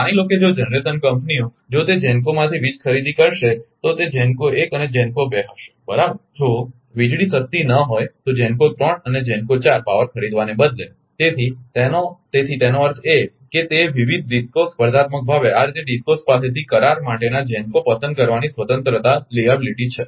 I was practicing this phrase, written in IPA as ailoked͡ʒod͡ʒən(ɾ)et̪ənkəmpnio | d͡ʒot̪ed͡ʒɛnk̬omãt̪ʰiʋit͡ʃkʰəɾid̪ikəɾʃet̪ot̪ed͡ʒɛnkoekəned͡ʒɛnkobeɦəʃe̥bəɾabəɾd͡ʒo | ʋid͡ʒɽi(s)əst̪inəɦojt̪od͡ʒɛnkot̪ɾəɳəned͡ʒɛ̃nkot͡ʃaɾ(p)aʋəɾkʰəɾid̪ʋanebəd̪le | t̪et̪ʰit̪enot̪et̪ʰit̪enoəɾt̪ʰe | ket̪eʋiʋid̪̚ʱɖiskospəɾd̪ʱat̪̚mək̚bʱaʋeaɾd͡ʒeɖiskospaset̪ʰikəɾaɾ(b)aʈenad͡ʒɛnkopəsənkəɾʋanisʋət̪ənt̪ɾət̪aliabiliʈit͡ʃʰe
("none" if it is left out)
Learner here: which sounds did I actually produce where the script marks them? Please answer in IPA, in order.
ɾ, s, p, m

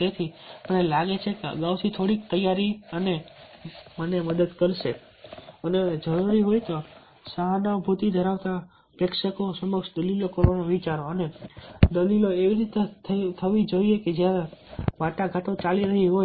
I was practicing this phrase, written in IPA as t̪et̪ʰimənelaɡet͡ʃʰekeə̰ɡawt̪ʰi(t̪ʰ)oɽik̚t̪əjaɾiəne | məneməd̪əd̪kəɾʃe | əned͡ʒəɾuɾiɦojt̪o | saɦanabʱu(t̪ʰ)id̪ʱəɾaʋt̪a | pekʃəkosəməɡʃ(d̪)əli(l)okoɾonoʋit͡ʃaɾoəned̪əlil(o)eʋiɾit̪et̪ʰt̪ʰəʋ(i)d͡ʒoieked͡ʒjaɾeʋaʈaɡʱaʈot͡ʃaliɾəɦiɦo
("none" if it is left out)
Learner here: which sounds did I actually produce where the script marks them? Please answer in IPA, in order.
t̪ʰ, t̪, d̪, l, o, i

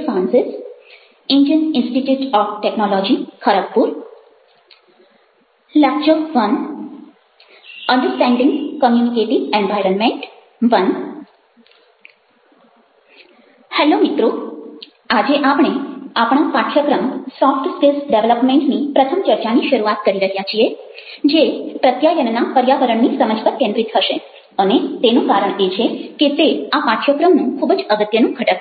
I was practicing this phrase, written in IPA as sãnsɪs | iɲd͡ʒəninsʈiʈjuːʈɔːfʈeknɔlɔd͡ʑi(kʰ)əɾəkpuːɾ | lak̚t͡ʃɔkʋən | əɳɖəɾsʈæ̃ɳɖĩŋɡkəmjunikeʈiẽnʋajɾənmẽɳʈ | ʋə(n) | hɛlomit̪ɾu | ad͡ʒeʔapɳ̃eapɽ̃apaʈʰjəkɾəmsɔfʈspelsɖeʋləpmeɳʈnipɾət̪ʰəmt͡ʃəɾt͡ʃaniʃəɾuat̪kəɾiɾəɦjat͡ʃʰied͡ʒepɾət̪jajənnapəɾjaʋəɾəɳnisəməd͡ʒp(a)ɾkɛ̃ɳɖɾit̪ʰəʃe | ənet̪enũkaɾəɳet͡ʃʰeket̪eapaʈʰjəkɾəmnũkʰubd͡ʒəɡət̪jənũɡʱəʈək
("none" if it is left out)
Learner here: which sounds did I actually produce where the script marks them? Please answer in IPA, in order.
kʰ, n, ə

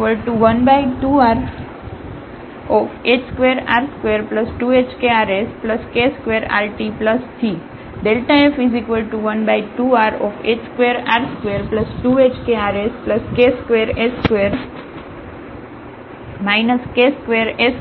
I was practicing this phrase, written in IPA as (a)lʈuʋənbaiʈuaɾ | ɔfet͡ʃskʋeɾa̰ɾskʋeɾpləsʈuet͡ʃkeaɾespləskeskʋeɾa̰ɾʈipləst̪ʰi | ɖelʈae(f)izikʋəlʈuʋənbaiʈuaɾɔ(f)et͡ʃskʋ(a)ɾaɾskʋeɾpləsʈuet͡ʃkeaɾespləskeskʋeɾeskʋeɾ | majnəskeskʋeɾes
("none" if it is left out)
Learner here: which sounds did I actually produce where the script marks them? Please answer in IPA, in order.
ə, f, f, e

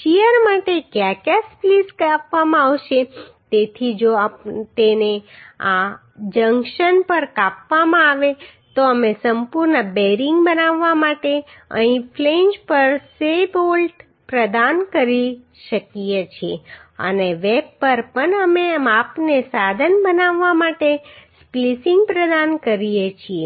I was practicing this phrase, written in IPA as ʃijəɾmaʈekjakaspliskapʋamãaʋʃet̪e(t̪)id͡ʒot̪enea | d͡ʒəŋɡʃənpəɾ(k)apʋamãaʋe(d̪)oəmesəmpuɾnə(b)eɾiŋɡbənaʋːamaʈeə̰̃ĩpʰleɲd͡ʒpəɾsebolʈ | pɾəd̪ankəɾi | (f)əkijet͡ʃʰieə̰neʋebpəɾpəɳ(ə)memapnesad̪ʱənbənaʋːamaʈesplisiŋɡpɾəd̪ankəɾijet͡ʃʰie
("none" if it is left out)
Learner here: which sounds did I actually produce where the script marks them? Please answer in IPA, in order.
t̪ʰ, k, t̪, b, ʃ, ə

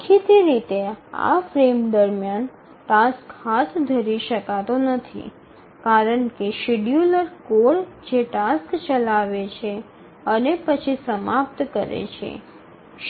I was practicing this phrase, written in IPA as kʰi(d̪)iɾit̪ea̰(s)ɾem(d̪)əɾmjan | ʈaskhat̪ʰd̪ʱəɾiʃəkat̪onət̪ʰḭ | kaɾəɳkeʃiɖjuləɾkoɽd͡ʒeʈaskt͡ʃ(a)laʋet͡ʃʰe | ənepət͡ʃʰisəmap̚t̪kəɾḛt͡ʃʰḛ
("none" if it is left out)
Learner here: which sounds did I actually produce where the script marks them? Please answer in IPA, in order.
t̪, f, d̪, ə

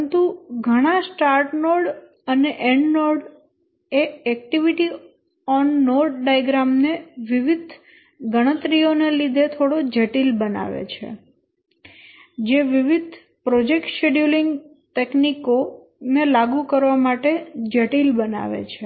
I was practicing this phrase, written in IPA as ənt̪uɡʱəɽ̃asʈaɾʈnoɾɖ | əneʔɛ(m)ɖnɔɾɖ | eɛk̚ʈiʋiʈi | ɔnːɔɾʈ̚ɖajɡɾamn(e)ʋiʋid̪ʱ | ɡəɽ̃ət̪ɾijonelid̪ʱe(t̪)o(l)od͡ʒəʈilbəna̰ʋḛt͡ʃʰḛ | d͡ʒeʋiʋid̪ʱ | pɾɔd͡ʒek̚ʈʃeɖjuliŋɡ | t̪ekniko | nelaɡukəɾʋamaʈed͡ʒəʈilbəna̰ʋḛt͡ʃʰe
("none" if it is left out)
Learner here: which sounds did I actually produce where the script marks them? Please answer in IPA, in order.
ɳ, e, t̪ʰ, ɽ

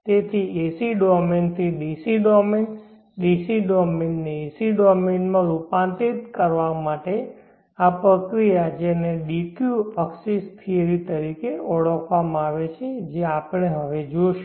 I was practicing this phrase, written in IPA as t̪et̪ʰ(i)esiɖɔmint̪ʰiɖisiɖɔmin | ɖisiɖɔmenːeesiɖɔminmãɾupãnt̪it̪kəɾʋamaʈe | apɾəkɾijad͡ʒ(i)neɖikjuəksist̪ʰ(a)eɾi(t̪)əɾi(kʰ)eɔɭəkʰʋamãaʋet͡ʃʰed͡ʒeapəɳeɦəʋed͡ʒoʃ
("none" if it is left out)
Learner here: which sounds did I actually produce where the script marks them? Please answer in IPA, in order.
i, e, i, t̪, k

